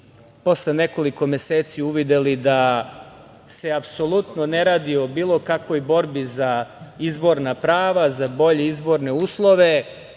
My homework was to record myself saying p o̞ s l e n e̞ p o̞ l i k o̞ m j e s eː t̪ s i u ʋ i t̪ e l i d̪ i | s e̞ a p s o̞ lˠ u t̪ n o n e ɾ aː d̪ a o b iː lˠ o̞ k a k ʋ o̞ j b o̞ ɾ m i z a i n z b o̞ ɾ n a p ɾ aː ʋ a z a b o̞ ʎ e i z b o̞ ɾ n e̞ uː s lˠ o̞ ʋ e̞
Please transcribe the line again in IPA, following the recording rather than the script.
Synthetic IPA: p o̞ s l e n e̞ k o̞ l i k o̞ m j e s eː t̪ s i u ʋ i d̪ e l i d̪ a | s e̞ a p s o̞ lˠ u t̪ n o n e ɾ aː d̪ i o b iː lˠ o̞ k a k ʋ o̞ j b o̞ ɾ b i z a i z b o̞ ɾ n a p ɾ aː ʋ a z a b o̞ ʎ e i z b o̞ ɾ n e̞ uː s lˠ o̞ ʋ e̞